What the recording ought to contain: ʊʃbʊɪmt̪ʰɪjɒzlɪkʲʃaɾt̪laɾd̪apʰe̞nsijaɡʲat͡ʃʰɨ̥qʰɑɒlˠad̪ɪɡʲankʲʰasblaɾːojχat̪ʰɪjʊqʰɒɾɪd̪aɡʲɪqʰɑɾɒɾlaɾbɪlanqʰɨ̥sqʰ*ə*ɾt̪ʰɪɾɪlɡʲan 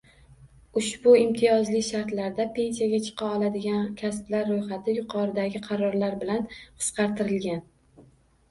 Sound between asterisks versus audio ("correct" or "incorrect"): incorrect